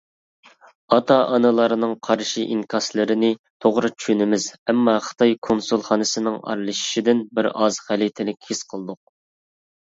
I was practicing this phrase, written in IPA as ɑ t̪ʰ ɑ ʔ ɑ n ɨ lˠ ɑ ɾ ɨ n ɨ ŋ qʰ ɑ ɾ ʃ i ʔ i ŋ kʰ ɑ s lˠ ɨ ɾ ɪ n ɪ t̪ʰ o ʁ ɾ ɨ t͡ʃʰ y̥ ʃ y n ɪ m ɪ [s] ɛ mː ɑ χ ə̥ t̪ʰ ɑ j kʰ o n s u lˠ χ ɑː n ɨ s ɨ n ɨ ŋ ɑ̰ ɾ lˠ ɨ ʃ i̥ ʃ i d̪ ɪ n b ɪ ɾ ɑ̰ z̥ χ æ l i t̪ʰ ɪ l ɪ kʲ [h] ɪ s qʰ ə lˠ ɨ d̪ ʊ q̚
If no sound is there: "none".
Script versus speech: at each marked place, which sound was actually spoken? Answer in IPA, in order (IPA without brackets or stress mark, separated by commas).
z, h